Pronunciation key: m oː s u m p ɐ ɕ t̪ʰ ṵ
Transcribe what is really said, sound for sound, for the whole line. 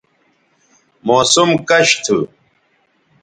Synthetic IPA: m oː s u m k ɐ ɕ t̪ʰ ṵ